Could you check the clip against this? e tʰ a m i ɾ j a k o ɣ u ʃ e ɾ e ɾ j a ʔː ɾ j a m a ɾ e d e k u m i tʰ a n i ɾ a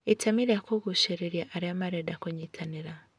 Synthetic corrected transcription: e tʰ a m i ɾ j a k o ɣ u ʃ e ɾ e ɾ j a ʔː ɾ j a m a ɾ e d a k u ɲ i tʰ a n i ɾ a